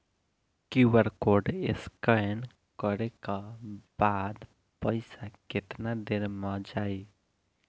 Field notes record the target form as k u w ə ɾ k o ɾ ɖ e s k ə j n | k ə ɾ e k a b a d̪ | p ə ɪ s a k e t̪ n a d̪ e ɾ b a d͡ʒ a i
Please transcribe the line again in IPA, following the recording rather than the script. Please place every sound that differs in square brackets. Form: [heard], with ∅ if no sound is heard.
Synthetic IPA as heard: k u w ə ɾ k o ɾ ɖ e s k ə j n | k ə ɾ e k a b a d̪ | p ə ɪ s a k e t̪ n a d̪ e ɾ [m] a d͡ʒ a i

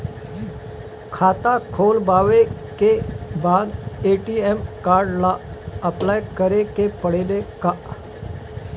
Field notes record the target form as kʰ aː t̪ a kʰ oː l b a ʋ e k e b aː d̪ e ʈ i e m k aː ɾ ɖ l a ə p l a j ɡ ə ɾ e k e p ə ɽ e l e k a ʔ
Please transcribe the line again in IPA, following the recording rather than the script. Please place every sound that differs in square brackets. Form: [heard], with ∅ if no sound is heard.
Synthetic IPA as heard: kʰ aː t̪ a kʰ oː l b a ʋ e k e b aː d̪ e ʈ i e m k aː ɾ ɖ l a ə p l a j [k] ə ɾ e k e p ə ɽ e l e k a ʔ

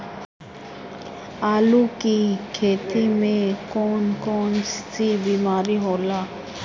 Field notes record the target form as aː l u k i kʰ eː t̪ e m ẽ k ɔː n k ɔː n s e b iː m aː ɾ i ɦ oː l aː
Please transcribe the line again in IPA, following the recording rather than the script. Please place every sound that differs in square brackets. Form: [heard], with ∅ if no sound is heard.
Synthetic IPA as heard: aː l u k i kʰ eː t̪ [i] m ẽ k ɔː n k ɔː n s [i] b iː m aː ɾ i ɦ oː l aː

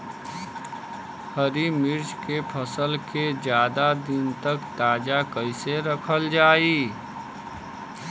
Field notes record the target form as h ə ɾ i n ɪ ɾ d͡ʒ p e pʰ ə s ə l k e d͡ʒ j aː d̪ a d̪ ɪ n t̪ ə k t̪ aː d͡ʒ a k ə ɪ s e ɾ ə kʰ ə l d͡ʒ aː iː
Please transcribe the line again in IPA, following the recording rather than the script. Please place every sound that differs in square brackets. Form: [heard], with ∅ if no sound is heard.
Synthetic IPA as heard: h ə ɾ i [m] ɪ ɾ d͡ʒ [k] e pʰ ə s ə l k e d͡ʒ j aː d̪ a d̪ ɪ n t̪ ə k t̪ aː d͡ʒ a k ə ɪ s e ɾ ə kʰ ə l d͡ʒ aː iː

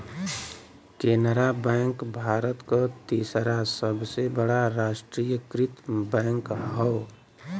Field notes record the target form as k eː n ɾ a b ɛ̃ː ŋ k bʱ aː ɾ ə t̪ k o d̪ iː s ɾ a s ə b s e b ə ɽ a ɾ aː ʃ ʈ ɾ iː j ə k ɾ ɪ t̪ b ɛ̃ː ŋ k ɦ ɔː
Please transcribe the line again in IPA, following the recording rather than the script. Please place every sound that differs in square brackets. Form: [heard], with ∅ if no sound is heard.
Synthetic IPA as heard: k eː n ɾ a b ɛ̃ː ŋ k bʱ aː ɾ ə t̪ k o [t̪] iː s ɾ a s ə b s e b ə ɽ a ɾ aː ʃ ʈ ɾ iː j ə k ɾ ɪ t̪ b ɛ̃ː ŋ k ɦ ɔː

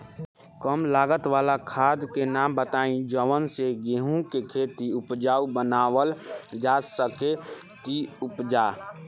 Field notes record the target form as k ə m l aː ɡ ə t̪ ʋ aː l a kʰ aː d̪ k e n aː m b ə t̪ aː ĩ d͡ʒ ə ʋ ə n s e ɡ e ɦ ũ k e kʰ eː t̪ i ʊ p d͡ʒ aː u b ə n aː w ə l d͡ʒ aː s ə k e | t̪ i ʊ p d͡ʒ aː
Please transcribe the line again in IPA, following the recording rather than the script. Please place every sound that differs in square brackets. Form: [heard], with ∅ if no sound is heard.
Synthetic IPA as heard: k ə m l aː ɡ ə t̪ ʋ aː l a kʰ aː d̪ k e n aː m b ə t̪ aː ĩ d͡ʒ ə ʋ ə n s e ɡ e ɦ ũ k e kʰ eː t̪ i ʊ p d͡ʒ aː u b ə n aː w ə l d͡ʒ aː s ə k e | t̪ i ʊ p d͡ʒ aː

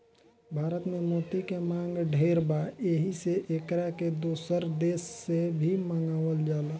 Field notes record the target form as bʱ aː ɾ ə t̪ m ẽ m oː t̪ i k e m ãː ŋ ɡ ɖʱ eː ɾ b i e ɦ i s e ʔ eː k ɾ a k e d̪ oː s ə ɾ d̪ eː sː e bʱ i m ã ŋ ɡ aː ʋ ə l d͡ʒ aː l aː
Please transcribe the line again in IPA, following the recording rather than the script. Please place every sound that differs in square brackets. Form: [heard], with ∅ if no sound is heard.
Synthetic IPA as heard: bʱ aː ɾ ə t̪ m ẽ m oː t̪ i k e m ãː ŋ ɡ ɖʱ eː ɾ b [a] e ɦ i s e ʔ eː k ɾ a k e d̪ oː s ə ɾ d̪ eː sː e bʱ i m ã ŋ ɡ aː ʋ ə l d͡ʒ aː l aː

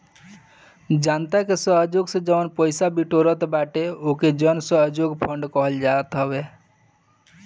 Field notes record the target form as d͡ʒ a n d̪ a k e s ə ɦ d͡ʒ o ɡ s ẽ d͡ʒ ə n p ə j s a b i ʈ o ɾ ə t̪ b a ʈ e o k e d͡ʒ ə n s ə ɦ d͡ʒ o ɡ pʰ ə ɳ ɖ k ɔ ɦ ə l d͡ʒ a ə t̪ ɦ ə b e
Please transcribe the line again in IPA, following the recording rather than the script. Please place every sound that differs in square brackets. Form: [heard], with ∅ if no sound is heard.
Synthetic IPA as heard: d͡ʒ a n [t̪] a k e s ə ɦ d͡ʒ o ɡ s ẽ d͡ʒ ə n p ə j s a b i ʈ o ɾ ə t̪ b a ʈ e o k e d͡ʒ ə n s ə ɦ d͡ʒ o ɡ pʰ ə ɳ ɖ k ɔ ɦ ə l d͡ʒ a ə t̪ ɦ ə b e

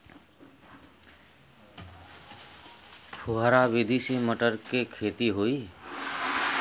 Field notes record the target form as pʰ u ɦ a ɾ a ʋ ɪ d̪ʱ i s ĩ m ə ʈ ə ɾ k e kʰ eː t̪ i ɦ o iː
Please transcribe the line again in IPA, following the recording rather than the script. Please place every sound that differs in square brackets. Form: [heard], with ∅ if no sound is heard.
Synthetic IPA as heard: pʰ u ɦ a ɾ a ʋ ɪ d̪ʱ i s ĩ m ə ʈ ə ɾ k e kʰ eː t̪ i ɦ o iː

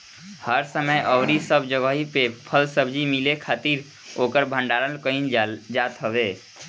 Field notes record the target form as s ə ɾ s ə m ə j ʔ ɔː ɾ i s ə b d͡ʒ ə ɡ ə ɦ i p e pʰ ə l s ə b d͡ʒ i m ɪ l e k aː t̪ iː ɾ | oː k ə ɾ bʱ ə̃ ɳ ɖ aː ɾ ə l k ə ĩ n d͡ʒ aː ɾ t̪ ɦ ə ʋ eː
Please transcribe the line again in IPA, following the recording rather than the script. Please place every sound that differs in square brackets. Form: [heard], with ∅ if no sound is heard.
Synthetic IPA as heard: [h] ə ɾ s ə m ə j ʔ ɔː ɾ i s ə b d͡ʒ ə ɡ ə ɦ i p e pʰ ə l s ə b d͡ʒ i m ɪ l e [kʰ] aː t̪ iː ɾ | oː k ə ɾ bʱ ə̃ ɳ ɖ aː ɾ ə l k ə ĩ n d͡ʒ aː [∅] t̪ ɦ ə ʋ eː

